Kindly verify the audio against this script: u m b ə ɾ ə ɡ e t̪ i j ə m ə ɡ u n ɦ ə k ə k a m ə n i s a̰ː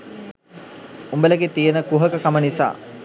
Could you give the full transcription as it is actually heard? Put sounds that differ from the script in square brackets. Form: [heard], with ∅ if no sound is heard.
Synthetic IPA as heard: u m b ə [l] ə ɡ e t̪ i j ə [n] ə [k] u [∅] ɦ ə k ə k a m ə n i s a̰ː